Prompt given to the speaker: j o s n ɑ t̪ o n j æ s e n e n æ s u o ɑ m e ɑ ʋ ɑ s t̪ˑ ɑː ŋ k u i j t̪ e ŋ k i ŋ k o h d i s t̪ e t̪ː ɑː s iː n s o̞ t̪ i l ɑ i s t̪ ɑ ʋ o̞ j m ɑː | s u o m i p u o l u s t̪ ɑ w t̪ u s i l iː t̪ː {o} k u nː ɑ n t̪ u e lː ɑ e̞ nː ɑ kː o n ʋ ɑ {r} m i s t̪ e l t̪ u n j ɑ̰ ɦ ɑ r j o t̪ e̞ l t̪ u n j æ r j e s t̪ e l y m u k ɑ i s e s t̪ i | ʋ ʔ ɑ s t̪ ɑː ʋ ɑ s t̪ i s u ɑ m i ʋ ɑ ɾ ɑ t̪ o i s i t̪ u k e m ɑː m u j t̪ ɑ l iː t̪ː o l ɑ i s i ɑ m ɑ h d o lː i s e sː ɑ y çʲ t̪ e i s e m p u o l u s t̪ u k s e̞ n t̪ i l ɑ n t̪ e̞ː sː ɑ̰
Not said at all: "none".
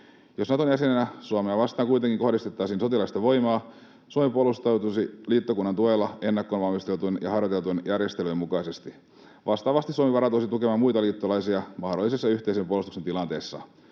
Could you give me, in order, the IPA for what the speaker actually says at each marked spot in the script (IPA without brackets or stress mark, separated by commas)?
o, l